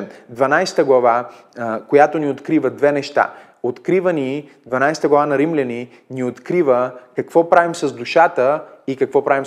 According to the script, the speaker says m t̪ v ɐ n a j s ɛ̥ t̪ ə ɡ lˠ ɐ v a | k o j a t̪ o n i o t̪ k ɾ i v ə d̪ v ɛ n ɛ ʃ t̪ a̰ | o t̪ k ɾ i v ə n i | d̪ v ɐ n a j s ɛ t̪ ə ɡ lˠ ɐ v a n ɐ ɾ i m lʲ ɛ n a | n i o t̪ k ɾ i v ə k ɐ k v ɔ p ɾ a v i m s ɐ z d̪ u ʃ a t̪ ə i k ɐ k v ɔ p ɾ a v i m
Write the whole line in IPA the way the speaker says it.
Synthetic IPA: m d̪ v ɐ n a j s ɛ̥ t̪ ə ɡ lˠ ɐ v a | k o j a t̪ o n i o t̪ k ɾ i v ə d̪ v ɛ n ɛ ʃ t̪ a̰ | o t̪ k ɾ i v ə n i | d̪ v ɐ n a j s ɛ t̪ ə ɡ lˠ ɐ v a n ɐ ɾ i m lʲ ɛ n i | n i o t̪ k ɾ i v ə k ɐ k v ɔ p ɾ a v i m s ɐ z d̪ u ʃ a t̪ ə i k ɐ k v ɔ p ɾ a v i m